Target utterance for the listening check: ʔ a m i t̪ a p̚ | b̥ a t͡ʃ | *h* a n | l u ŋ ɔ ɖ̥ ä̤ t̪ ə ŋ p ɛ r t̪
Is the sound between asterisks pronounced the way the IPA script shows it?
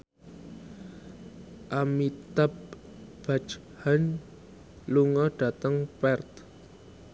yes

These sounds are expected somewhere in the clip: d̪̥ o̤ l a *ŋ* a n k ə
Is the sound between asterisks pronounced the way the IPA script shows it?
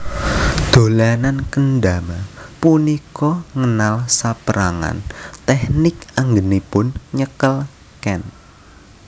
no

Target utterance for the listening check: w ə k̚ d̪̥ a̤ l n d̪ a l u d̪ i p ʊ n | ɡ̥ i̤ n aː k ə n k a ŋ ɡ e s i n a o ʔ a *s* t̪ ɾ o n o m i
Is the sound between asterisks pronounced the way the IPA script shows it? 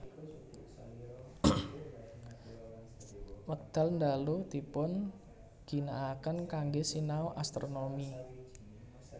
yes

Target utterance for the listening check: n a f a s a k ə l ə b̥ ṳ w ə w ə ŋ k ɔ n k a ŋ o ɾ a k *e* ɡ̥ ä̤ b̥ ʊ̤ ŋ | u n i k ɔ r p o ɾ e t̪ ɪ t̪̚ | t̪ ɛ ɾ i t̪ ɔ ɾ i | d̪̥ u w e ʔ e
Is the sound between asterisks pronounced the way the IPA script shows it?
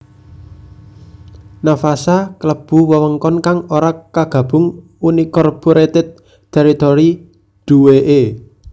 no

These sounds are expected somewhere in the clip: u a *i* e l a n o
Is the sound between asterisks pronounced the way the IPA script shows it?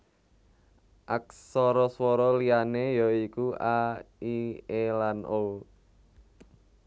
yes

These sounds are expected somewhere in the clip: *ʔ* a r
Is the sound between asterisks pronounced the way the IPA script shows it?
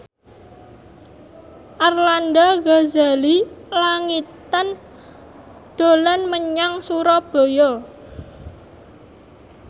yes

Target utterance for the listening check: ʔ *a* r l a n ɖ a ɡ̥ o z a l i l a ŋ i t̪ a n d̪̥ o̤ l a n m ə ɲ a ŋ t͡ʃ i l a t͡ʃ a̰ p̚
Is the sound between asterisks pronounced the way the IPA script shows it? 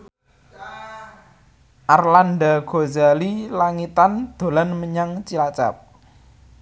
yes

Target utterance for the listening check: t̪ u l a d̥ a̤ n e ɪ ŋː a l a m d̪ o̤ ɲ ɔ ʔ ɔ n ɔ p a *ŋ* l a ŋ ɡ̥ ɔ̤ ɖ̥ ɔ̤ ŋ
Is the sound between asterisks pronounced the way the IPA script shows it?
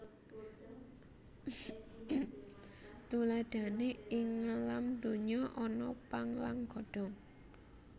yes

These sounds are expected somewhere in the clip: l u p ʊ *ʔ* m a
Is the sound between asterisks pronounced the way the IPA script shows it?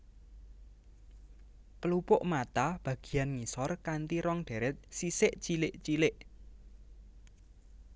yes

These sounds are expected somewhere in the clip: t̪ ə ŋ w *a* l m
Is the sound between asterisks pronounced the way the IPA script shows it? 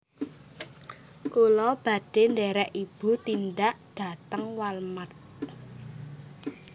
yes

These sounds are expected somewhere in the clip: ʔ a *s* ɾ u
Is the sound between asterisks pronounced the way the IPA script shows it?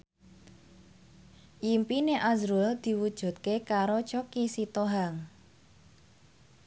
no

